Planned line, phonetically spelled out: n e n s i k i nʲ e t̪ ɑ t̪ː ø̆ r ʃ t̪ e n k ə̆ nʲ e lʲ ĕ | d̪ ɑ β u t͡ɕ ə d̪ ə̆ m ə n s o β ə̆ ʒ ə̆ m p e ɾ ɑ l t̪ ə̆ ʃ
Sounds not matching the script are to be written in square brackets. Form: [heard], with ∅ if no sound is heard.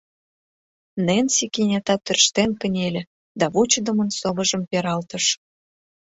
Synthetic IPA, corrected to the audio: n e n s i k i nʲ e t̪ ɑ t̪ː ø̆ r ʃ t̪ e n k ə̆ nʲ e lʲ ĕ | d̪ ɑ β u t͡ɕ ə d̪ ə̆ m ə n s o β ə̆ ʒ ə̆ m p e ɾ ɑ l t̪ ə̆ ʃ